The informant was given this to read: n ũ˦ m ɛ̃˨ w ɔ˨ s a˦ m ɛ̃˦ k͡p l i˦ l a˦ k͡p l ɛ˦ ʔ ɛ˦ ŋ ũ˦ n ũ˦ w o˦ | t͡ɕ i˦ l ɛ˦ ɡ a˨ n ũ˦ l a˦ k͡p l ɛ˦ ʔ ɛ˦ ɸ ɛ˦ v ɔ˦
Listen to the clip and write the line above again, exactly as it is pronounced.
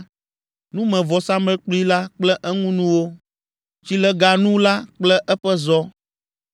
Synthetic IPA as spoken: n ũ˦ m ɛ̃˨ v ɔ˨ s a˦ m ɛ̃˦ k͡p l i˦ l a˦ k͡p l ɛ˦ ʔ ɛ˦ ŋ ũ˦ n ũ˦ w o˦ | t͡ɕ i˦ l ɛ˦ ɡ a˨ n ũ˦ l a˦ k͡p l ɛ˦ ʔ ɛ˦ ɸ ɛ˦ z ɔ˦